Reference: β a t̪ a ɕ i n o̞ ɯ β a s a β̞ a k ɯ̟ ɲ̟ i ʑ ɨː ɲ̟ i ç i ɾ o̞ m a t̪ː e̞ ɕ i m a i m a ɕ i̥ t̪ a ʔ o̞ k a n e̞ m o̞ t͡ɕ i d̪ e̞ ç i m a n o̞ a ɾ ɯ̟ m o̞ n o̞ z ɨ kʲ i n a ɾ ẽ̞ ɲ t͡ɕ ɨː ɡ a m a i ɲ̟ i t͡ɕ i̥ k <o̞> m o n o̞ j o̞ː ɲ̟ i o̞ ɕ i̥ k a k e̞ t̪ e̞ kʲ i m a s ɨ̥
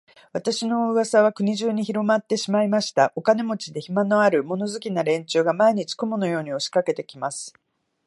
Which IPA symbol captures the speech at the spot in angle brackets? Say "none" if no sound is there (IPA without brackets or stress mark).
o̞